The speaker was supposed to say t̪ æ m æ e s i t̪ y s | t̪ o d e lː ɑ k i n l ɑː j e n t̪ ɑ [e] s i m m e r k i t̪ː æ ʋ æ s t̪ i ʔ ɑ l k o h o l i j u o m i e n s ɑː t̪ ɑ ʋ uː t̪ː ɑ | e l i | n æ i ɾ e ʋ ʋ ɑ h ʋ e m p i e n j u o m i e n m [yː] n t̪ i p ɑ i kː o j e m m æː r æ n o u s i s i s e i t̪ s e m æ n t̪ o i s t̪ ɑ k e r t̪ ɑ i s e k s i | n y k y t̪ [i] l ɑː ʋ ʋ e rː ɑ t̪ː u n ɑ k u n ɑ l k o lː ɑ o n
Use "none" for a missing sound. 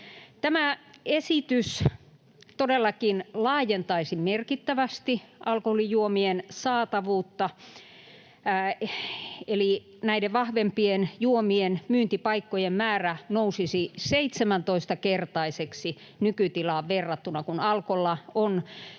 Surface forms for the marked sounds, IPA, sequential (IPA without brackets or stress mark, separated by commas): i, yː, i